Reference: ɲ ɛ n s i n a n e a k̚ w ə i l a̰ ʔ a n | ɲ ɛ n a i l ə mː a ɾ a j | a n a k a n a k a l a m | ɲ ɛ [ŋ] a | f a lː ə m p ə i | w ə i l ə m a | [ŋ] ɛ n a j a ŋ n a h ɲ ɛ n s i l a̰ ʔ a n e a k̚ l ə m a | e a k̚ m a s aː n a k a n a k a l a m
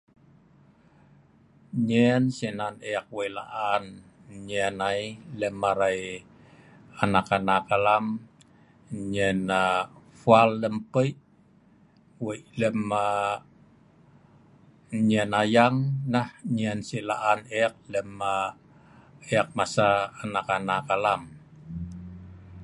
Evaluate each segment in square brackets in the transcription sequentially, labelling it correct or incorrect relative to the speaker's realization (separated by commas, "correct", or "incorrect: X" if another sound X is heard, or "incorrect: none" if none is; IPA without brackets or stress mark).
incorrect: n, incorrect: ɲ